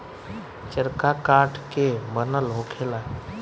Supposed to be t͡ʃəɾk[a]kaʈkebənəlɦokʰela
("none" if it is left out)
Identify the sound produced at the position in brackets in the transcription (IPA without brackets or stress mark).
a